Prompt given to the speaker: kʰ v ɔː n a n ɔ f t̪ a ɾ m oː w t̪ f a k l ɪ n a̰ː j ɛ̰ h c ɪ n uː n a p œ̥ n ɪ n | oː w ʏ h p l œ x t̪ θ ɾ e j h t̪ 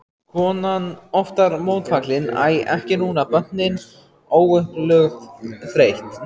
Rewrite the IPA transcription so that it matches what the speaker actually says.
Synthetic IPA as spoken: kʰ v ɔː n a n ɔ f t̪ a ɾ m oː w t̪ f a k l ɪ n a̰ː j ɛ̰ h c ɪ n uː n a p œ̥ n ɪ n | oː w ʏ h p l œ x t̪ θ ɾ e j h t̪